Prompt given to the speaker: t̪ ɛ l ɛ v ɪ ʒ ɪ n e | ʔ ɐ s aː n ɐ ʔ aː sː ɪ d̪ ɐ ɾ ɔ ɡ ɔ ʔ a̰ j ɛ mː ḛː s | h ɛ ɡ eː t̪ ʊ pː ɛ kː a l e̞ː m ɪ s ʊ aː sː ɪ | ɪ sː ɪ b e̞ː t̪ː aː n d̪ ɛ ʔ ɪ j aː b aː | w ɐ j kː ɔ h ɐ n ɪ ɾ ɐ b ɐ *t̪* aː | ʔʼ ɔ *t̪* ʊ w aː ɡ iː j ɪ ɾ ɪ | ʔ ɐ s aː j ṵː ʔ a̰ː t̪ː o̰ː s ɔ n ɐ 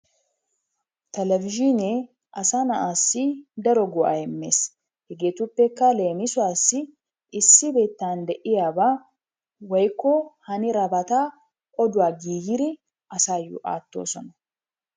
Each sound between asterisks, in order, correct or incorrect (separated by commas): correct, incorrect